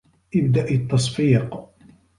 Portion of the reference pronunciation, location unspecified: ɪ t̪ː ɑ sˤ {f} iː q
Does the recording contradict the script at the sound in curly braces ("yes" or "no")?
no